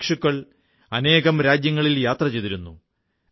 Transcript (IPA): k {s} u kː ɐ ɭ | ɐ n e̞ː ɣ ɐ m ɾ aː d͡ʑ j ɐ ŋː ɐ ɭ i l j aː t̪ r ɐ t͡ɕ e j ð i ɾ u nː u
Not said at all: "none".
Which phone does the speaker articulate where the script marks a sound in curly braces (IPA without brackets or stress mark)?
ʂ